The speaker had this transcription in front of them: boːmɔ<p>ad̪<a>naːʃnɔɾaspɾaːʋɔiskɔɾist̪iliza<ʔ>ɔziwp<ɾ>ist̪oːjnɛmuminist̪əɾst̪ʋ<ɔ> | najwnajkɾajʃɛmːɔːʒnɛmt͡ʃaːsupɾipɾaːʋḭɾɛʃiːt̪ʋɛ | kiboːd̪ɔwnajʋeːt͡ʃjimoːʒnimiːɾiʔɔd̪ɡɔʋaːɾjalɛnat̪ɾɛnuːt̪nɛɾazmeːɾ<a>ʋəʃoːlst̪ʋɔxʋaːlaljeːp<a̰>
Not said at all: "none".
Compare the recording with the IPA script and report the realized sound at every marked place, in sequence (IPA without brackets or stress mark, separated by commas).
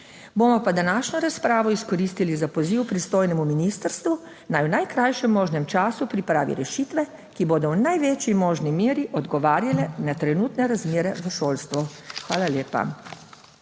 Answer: p, a, p, ɾ, u, ɛ, a̰